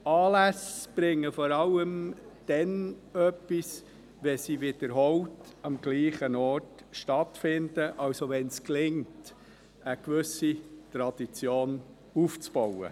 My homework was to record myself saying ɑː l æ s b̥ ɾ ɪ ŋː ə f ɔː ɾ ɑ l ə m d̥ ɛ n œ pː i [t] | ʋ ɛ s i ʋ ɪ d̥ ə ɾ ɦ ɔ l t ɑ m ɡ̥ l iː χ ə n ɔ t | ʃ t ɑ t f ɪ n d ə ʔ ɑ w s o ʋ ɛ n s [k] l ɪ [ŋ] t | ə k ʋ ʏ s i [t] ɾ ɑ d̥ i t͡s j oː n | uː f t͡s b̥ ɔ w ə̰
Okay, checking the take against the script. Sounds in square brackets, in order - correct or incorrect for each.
incorrect, correct, correct, correct

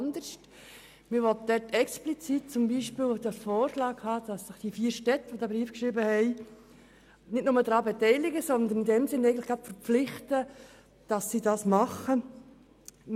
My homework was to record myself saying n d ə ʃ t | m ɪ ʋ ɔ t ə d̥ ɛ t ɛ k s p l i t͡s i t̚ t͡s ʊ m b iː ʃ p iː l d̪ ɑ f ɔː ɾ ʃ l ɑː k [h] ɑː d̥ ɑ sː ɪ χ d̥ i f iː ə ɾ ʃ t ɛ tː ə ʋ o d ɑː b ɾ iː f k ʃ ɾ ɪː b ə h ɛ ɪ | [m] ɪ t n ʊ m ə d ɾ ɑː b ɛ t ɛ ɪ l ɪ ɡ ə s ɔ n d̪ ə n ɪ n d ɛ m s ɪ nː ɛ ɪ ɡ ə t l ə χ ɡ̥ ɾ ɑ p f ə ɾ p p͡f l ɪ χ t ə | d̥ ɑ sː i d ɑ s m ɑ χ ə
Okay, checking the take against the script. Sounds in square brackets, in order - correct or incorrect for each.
correct, incorrect

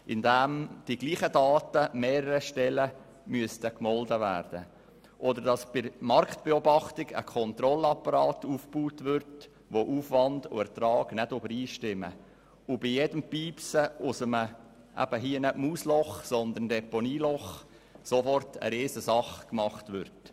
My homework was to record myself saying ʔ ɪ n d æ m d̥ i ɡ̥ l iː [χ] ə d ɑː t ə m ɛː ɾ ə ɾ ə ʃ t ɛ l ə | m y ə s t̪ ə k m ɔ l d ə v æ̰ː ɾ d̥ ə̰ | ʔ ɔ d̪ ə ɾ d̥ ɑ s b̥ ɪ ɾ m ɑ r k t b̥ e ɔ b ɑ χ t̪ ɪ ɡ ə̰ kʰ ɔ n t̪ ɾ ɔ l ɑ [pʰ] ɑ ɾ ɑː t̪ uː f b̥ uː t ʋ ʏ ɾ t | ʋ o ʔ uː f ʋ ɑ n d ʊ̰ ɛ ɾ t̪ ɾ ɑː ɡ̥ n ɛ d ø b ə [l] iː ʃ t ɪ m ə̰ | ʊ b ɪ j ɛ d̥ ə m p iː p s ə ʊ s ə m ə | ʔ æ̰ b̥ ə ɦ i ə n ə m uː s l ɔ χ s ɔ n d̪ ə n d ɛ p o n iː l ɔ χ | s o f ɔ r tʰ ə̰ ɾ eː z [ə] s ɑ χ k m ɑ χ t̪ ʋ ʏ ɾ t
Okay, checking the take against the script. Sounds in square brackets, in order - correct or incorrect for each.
correct, incorrect, incorrect, correct

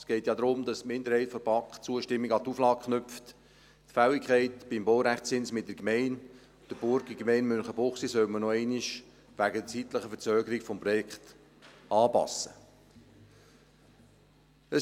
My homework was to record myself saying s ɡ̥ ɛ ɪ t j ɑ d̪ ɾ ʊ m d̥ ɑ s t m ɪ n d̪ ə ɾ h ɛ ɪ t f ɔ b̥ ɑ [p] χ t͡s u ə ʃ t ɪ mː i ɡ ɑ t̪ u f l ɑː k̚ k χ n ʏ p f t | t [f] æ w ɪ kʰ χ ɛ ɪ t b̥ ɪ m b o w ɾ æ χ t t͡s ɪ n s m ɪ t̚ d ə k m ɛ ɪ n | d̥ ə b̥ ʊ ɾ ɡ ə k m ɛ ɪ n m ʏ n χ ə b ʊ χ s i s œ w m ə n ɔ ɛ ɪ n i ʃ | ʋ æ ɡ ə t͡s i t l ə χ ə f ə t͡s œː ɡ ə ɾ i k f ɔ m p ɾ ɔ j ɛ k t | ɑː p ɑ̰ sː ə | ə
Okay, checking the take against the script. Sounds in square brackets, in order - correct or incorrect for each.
incorrect, correct

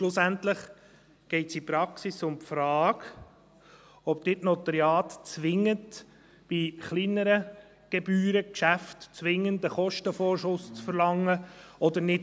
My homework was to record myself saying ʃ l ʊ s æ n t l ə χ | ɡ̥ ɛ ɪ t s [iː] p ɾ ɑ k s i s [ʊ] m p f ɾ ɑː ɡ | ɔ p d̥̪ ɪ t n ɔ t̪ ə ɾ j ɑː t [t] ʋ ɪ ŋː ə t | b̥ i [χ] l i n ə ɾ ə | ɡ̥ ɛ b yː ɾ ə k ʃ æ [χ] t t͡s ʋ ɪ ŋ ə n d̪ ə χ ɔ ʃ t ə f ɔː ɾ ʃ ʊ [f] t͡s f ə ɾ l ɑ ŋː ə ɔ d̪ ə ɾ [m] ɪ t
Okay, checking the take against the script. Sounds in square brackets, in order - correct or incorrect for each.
incorrect, correct, incorrect, correct, incorrect, incorrect, incorrect

